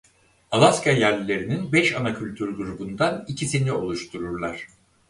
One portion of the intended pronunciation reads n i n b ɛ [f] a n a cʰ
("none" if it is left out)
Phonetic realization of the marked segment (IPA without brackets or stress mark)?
ʃ